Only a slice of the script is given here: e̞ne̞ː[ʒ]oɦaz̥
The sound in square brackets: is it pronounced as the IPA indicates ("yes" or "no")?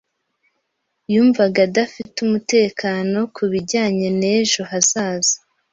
yes